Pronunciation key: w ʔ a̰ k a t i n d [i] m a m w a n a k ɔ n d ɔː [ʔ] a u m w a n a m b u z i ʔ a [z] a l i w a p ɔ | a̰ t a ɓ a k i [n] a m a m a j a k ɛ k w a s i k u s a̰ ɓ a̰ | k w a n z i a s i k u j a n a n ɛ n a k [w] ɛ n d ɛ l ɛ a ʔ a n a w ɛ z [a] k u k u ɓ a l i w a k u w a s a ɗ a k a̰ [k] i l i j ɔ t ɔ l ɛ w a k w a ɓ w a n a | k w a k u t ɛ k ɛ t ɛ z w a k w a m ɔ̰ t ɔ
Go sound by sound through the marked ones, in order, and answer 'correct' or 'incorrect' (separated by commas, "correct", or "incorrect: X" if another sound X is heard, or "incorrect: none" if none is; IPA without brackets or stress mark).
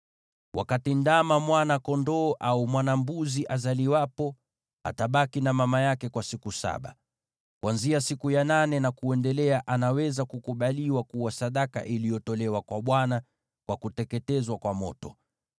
incorrect: a, correct, correct, correct, incorrect: u, correct, incorrect: ʔ